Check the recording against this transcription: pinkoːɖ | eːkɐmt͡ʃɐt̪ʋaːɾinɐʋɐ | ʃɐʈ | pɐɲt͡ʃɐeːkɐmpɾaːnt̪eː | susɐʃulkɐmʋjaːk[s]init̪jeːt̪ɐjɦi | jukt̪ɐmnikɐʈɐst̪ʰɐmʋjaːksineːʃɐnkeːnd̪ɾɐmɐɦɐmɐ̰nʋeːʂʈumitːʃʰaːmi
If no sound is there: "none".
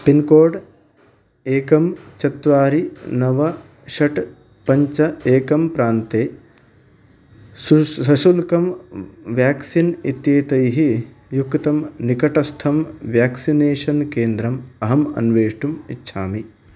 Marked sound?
s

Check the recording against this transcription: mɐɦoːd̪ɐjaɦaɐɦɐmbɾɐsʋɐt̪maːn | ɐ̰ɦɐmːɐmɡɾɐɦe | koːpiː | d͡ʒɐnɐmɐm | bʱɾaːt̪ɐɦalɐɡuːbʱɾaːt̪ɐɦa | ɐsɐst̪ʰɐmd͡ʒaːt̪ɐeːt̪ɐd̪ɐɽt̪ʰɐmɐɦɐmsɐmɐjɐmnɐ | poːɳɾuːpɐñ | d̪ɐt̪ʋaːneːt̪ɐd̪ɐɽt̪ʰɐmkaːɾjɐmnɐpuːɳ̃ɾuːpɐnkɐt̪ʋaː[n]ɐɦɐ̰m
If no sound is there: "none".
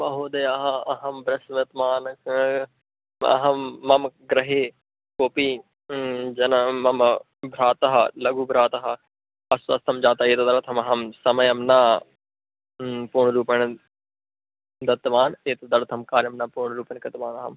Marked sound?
n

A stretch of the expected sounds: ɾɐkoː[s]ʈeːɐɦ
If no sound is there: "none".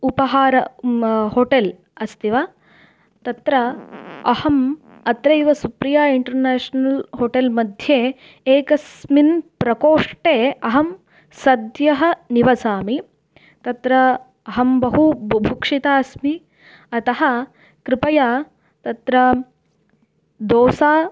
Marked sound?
ʂ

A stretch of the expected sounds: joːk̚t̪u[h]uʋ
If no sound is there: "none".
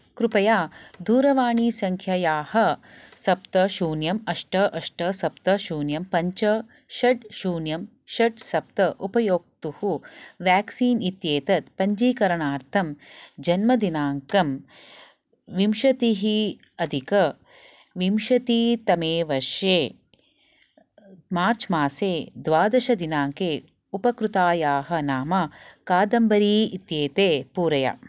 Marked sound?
h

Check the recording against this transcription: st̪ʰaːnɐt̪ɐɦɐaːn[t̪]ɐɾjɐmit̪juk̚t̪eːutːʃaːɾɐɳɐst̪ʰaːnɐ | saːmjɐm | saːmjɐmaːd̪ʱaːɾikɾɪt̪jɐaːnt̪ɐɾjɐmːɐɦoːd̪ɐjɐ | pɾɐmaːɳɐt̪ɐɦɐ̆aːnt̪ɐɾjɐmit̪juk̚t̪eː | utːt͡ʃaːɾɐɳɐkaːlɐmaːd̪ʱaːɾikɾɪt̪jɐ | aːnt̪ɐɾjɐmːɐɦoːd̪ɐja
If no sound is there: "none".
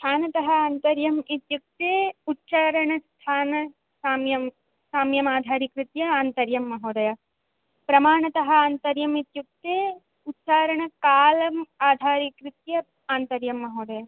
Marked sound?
t̪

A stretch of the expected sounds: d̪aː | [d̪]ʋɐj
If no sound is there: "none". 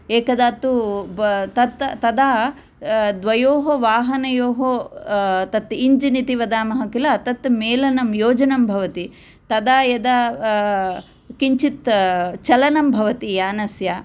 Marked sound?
d̪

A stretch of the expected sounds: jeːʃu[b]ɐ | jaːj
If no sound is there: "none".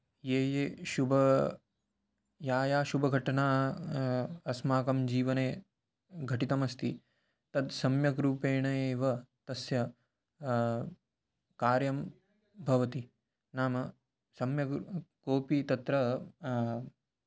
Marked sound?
b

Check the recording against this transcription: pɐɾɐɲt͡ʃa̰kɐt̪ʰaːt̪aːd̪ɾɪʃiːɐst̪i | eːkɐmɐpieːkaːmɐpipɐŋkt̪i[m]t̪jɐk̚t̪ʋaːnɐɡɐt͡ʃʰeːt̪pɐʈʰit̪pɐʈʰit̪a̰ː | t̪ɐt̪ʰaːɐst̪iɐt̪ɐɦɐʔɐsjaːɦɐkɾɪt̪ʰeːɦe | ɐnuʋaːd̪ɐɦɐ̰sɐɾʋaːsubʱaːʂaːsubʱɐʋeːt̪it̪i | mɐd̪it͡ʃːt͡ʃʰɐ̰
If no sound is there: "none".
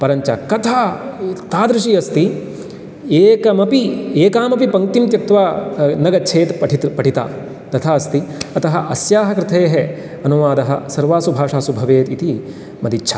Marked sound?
m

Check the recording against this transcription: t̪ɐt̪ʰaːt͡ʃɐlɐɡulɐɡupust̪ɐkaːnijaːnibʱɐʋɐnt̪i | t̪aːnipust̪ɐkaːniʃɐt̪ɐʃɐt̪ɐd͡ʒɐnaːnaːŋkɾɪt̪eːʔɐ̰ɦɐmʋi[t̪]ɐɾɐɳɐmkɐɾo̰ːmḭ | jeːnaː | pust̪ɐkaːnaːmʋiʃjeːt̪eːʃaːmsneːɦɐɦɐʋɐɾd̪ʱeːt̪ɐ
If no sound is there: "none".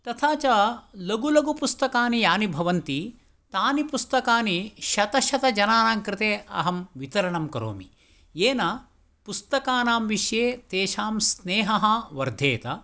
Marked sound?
t̪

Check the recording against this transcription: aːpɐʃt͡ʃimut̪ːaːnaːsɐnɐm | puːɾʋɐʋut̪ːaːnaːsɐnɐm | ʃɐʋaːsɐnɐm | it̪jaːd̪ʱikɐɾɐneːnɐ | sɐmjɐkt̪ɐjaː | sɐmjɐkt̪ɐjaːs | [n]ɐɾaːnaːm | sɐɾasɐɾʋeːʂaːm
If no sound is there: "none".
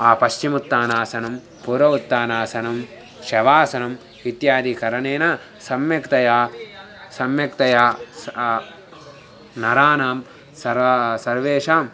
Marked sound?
n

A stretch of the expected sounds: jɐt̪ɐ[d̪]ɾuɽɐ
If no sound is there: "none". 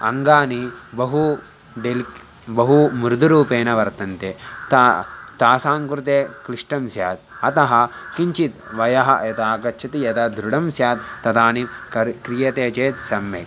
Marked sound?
d̪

